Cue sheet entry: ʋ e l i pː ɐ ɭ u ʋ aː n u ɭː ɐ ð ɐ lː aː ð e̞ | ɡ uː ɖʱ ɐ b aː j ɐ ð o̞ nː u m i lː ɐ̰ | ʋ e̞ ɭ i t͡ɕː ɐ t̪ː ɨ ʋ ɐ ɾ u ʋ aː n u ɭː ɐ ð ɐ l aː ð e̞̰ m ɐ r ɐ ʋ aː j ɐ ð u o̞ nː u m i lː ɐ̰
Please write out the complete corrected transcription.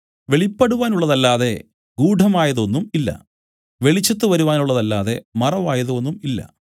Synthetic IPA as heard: ʋ e ɭ i pː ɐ ɽ u ʋ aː n u ɭː ɐ ð ɐ lː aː ð e̞ | ɡ uː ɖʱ ɐ m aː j ɐ ð o̞ nː u m i lː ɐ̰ | ʋ e̞ ɭ i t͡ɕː ɐ t̪ː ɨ ʋ ɐ ɾ u ʋ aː n u ɭː ɐ ð ɐ lː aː ð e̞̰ m ɐ r ɐ ʋ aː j ɐ ð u o̞ nː u m i lː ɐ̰

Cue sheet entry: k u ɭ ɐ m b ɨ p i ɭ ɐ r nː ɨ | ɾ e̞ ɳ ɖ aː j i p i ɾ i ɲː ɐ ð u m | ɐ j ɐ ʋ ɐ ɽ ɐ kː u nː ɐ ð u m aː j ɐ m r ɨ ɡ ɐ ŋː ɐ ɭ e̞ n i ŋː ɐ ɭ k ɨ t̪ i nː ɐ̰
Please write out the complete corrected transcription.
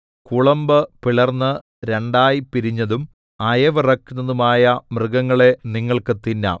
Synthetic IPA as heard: k u ɭ ɐ m b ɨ p i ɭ ɐ r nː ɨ | ɾ e̞ ɳ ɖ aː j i p i ɾ i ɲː ɐ ð u m | ɐ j ɐ ʋ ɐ r ɐ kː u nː ɐ ð u m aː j ɐ m r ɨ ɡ ɐ ŋː ɐ ɭ e̞ n i ŋː ɐ ɭ k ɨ t̪ i nː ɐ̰

